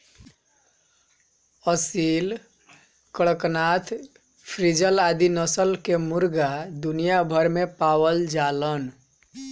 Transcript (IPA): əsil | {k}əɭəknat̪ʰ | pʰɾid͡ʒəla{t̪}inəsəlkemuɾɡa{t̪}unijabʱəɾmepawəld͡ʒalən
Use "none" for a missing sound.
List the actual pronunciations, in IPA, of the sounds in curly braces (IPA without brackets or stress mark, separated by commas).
k, d̪, d̪